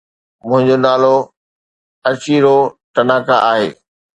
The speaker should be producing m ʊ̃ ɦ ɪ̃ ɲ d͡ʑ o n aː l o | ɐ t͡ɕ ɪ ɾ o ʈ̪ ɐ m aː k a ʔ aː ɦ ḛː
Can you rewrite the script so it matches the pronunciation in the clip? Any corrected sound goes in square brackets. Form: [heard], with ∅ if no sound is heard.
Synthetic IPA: m ʊ̃ ɦ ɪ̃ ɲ d͡ʑ o n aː l o | ɐ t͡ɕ [i] ɾ o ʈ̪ ɐ [n] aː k a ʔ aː ɦ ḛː